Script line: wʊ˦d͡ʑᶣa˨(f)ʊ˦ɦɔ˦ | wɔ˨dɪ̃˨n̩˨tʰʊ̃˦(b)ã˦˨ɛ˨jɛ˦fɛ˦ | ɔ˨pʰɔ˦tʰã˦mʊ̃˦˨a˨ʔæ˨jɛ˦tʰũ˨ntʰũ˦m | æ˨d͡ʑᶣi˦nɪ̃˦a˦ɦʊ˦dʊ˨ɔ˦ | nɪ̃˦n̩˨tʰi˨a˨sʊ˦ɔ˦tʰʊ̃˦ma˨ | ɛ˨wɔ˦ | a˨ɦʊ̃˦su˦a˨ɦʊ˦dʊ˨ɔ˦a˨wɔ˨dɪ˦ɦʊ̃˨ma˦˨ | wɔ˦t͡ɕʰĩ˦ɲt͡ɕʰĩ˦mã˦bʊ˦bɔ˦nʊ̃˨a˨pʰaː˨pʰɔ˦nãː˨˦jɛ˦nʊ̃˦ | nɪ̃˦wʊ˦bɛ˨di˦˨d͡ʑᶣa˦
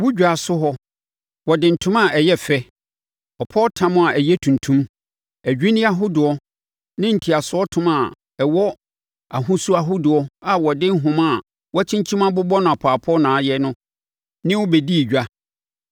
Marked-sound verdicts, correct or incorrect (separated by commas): incorrect, incorrect